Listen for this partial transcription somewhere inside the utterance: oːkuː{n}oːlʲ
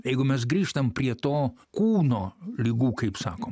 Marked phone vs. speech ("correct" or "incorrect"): correct